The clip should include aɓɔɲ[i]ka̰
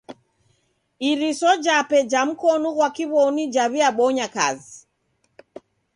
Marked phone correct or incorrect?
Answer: incorrect